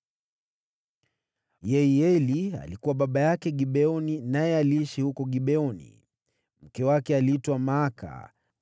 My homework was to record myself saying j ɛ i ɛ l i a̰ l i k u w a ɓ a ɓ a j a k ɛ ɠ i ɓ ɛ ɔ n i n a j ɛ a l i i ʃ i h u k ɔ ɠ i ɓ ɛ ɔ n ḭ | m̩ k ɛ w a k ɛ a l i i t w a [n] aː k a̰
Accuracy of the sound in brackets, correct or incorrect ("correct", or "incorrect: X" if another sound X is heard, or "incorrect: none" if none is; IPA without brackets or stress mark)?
incorrect: m